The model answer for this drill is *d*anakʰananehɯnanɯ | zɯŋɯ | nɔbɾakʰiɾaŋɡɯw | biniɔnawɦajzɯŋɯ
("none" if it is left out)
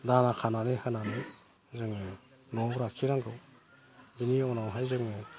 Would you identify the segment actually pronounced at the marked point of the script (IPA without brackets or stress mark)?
d